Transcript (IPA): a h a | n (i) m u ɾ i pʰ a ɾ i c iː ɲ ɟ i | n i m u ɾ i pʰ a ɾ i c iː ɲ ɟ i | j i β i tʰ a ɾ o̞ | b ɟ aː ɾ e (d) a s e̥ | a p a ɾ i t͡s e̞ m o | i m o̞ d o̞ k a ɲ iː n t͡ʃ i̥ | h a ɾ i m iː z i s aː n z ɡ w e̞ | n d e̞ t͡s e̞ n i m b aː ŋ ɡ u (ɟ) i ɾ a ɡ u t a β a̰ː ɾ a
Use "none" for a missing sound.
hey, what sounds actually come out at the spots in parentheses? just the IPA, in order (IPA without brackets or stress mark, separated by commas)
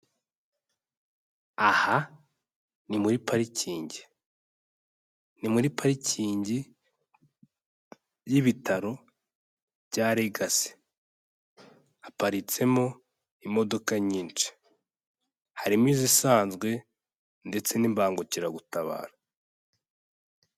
i, ɡ, c